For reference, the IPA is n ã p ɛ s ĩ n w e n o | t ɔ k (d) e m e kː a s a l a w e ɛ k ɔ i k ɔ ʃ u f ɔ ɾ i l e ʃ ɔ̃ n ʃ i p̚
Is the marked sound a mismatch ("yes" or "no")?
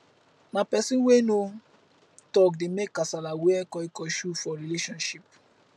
no